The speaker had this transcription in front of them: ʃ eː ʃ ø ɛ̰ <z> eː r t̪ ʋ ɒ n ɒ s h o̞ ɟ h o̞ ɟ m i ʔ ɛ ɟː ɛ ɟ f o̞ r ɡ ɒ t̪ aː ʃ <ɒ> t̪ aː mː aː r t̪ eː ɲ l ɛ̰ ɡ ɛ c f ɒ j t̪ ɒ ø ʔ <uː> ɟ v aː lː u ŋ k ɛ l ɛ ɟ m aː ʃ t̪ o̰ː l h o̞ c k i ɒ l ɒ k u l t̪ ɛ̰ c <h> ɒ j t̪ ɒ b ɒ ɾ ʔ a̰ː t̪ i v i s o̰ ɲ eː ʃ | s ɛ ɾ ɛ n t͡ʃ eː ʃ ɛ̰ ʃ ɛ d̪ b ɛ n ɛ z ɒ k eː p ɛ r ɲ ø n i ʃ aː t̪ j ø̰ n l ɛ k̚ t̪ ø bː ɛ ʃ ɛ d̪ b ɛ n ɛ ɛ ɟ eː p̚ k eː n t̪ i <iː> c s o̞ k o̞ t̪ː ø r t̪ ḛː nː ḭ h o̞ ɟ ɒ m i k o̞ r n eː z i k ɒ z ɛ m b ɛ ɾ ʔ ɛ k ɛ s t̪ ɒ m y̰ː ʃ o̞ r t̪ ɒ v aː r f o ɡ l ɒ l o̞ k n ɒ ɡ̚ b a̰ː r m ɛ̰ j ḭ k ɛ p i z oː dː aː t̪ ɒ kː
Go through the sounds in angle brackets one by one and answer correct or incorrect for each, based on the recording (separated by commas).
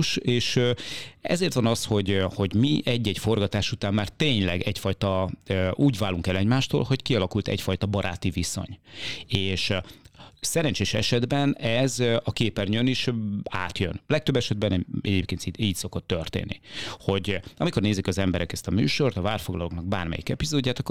correct, incorrect, correct, incorrect, correct